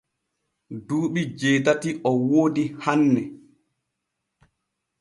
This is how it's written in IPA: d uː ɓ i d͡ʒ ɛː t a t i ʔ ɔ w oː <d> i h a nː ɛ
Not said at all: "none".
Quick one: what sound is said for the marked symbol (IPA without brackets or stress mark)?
d